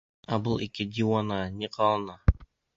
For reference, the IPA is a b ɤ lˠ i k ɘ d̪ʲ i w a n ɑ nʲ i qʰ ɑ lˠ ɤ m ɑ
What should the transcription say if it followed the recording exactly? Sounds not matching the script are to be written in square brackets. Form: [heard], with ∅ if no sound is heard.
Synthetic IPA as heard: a b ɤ lˠ i k ɘ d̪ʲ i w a n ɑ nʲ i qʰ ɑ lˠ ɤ [n] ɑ